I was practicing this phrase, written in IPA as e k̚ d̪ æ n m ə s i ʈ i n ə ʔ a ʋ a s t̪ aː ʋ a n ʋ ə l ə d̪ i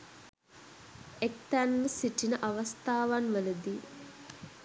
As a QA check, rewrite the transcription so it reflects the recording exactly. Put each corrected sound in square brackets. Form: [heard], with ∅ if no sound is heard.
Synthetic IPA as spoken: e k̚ [t̪] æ n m ə s i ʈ i n ə ʔ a ʋ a s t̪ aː ʋ a n ʋ ə l ə d̪ i